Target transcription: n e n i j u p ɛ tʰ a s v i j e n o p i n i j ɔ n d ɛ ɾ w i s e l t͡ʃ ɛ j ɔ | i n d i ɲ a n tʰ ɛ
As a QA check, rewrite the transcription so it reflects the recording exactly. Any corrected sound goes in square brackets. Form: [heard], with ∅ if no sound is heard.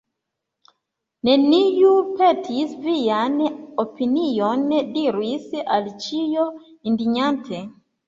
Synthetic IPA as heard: n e n i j u p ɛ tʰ [i] s v i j [a] n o p i n i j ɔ n d [i] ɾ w i s [a] l t͡ʃ [i] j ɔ | i n d i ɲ a n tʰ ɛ